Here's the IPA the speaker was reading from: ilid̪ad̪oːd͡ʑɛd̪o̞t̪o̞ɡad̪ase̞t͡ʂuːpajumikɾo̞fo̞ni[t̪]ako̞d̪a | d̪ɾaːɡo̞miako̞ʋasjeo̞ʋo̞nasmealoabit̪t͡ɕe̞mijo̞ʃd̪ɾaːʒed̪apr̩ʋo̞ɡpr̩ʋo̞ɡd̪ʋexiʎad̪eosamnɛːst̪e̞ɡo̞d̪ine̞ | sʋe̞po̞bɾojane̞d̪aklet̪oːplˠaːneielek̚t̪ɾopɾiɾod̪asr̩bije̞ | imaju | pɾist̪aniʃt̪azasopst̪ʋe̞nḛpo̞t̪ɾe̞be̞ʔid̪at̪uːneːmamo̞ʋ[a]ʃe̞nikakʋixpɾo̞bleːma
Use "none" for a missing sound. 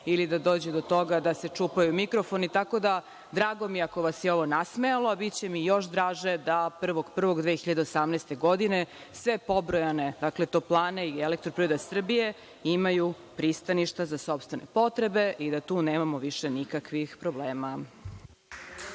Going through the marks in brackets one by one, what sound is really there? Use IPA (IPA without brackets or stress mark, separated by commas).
t̪, i